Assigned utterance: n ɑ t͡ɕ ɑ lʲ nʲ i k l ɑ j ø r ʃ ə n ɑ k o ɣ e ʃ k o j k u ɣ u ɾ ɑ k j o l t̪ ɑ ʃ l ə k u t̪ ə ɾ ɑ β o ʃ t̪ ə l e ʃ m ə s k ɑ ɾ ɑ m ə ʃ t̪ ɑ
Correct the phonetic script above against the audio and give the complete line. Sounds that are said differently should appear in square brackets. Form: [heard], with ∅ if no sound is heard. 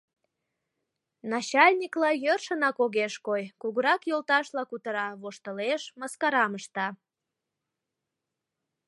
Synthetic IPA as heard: n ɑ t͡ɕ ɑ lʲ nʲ i k l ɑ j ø r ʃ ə n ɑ k o ɣ e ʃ k o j k u ɣ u ɾ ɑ k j o l t̪ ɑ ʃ l [ɑ] k u t̪ ə ɾ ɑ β o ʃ t̪ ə l e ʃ m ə s k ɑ ɾ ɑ m ə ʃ t̪ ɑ

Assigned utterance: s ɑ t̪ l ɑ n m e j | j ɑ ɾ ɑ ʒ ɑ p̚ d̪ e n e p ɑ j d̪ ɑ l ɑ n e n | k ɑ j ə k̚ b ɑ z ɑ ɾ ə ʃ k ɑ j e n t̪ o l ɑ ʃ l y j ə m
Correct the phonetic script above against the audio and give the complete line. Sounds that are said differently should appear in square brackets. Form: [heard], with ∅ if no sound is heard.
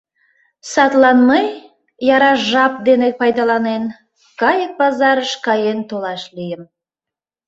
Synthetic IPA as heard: s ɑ t̪ l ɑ n m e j | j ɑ ɾ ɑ ʒ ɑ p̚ d̪ e n e p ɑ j d̪ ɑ l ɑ n e n | k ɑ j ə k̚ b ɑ z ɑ ɾ ə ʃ k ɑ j e n t̪ o l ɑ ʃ l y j ə m

